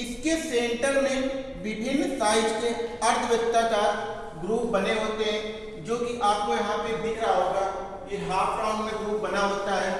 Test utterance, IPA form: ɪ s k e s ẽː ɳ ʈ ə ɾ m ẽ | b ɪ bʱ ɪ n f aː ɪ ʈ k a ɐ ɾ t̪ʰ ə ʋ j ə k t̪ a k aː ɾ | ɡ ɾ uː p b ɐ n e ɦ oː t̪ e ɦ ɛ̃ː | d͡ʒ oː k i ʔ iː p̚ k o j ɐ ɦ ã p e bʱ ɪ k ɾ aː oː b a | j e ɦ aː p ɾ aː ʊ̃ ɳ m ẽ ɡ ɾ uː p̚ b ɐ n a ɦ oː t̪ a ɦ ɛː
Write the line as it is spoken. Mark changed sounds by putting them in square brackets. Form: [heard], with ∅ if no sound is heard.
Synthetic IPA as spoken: ɪ s k e s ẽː ɳ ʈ ə ɾ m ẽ | b ɪ bʱ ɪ n [s] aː ɪ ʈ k [e] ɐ ɾ t̪ʰ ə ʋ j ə k t̪ a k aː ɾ | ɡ ɾ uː p b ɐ n e ɦ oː t̪ e ɦ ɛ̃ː | d͡ʒ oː k i ʔ [aː] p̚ k o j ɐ ɦ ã p e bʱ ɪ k ɾ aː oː [ɡ] a | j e ɦ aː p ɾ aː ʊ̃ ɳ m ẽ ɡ ɾ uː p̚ b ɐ n a ɦ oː t̪ a ɦ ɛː